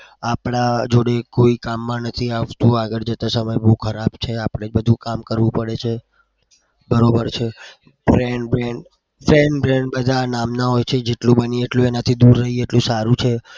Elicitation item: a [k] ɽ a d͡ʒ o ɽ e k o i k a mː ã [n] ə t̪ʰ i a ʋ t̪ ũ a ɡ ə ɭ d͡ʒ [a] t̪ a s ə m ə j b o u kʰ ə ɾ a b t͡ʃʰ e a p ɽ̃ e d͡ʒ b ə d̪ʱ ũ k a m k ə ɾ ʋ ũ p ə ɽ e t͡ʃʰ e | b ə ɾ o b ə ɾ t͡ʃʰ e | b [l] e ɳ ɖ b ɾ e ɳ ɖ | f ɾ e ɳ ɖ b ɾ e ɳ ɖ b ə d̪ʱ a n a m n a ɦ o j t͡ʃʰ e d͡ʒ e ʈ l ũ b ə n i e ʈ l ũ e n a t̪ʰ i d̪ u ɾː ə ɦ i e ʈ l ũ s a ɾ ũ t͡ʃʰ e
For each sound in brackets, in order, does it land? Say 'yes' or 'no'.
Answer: no, yes, no, no

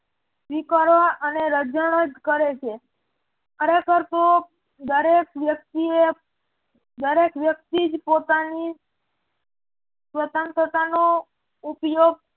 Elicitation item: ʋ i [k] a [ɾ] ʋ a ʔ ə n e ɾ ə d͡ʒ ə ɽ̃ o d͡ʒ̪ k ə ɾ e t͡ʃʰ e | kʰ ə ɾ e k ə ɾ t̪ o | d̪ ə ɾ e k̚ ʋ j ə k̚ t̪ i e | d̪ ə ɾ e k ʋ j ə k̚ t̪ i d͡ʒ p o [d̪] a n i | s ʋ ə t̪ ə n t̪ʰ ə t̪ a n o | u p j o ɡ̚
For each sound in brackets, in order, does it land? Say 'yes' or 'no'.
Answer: yes, yes, no

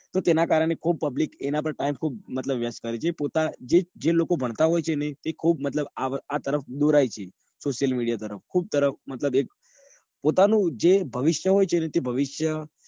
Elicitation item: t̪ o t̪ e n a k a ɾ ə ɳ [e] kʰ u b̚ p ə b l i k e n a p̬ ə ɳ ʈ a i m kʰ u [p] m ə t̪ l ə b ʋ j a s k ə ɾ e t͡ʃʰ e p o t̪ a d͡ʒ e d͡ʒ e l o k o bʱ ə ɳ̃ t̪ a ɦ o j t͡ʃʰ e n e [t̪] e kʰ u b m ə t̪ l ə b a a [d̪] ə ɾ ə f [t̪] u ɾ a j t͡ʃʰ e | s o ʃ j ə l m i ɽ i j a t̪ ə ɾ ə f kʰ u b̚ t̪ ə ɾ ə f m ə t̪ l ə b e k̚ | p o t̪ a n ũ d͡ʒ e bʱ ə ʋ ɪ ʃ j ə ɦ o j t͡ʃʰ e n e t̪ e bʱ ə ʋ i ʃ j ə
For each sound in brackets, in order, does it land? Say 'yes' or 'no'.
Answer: yes, no, yes, no, no

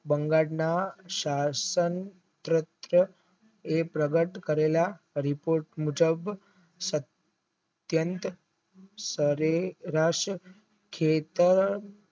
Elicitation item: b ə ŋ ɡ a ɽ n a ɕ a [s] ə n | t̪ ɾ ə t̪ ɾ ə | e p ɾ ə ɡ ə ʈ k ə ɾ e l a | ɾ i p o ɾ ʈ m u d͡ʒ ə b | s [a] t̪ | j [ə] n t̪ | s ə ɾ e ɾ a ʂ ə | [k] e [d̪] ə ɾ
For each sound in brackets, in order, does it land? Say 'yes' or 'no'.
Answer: yes, no, yes, no, no

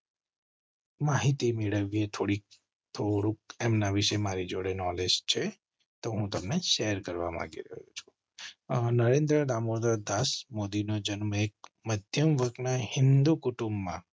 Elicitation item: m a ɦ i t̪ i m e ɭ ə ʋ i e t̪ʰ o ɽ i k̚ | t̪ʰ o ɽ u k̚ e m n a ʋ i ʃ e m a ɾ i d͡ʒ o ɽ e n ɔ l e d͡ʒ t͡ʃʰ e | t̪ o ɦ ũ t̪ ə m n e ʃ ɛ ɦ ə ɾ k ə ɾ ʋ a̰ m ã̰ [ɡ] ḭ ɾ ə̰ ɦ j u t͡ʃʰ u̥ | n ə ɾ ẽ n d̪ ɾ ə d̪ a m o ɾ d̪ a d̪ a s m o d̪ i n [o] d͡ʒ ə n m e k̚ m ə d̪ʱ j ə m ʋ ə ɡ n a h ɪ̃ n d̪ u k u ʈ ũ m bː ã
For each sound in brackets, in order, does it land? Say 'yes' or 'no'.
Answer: yes, yes

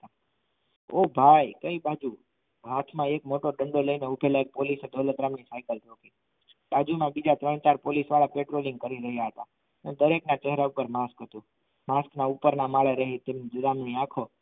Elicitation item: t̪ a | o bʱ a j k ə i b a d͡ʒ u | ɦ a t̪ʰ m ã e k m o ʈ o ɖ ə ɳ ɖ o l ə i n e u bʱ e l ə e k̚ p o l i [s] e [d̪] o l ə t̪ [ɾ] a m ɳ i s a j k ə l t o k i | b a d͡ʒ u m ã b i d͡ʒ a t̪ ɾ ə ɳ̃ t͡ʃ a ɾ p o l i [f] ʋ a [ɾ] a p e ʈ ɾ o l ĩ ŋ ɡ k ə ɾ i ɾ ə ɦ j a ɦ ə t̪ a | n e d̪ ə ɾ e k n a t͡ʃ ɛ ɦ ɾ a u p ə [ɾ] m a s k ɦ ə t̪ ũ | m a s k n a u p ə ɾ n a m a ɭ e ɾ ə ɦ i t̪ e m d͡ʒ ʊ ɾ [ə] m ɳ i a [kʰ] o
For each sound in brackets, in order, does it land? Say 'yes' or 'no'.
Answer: yes, yes, yes, no, no, yes, no, yes

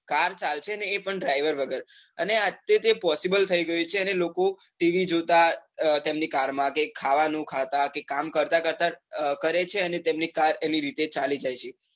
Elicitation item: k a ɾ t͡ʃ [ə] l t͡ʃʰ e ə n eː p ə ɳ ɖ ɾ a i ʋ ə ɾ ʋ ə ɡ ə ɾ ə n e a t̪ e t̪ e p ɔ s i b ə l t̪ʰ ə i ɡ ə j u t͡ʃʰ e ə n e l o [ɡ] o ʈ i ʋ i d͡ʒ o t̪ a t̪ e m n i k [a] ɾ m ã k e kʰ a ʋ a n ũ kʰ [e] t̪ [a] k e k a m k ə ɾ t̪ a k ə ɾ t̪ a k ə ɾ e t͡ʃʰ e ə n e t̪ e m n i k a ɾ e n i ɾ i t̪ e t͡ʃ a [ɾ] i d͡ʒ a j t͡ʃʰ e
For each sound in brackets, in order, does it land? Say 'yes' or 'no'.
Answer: no, no, yes, no, yes, no

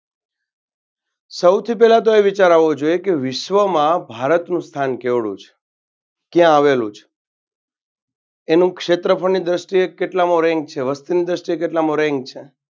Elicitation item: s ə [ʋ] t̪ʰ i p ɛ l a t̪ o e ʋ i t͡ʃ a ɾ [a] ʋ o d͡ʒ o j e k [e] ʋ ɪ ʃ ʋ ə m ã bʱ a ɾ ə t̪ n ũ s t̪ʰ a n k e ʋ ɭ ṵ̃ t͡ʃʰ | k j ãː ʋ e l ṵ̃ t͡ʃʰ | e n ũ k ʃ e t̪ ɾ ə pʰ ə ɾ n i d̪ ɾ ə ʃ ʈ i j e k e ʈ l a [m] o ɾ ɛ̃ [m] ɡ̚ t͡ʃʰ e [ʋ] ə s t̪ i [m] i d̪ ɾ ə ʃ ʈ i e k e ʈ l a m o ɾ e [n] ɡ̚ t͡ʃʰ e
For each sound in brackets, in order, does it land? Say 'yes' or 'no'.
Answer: no, yes, yes, yes, no, yes, no, no

